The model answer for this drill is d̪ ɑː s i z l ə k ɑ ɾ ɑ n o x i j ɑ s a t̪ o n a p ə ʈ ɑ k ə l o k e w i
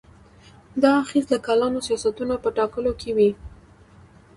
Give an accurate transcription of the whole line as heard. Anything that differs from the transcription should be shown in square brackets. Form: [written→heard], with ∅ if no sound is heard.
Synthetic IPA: d̪ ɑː [s→x] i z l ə k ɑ [ɾ→l] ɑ n o [x→s] i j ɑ s a t̪ [o→u] n a p ə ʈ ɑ k ə l o k e w i